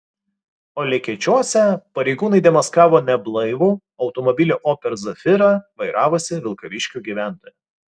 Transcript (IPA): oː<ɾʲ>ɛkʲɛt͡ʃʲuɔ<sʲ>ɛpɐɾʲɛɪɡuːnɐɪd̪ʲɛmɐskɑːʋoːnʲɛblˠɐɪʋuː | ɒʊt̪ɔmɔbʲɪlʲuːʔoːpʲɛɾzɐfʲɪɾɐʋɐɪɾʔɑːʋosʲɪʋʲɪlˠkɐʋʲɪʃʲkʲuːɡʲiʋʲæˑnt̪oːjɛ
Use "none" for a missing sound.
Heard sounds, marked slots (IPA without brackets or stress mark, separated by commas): lʲ, sʲ